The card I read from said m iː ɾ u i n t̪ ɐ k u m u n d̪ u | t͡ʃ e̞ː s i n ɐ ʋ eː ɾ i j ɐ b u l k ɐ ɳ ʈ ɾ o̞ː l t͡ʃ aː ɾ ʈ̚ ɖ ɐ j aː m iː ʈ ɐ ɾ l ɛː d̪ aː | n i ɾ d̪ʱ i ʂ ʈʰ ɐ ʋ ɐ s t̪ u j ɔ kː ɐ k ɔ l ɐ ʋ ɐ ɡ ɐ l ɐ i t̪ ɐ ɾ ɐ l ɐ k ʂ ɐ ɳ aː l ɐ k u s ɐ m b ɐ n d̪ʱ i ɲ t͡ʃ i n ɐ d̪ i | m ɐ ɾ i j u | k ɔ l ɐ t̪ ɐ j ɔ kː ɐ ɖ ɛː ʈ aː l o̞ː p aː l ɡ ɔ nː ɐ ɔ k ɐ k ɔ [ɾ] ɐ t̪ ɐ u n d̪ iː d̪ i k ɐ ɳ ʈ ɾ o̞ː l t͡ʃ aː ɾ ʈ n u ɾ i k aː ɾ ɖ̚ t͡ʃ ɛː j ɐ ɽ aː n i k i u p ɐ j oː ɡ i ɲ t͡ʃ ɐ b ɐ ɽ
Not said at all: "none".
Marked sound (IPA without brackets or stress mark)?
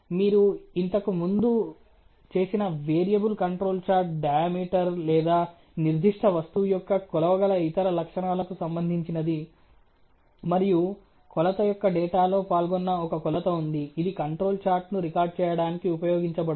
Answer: l